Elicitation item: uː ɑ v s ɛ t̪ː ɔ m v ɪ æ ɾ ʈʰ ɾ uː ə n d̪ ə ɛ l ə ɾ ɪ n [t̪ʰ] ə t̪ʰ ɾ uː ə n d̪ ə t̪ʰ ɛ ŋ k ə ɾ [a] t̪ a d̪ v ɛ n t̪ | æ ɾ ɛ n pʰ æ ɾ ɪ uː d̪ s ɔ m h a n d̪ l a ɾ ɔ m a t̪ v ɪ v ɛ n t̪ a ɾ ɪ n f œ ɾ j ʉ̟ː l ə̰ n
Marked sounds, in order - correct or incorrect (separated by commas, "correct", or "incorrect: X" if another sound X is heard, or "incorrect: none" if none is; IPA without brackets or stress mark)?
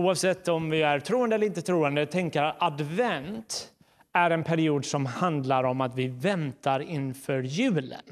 incorrect: t̪, correct